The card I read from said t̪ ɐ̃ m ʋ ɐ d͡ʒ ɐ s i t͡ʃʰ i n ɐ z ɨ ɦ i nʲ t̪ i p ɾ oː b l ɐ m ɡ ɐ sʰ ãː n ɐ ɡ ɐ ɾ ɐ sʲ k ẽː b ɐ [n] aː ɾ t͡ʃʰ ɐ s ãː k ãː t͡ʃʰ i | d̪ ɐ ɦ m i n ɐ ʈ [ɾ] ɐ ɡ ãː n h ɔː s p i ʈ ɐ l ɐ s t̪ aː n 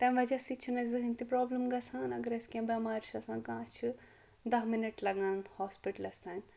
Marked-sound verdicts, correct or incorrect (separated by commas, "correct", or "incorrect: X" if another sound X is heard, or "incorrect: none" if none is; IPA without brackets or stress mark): incorrect: m, incorrect: l